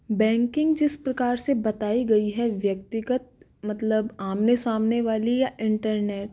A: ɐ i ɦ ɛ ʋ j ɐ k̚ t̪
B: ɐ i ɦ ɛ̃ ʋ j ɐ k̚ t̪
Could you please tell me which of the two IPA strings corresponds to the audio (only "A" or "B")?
A